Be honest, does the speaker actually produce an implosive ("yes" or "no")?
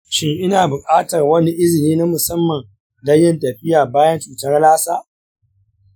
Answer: no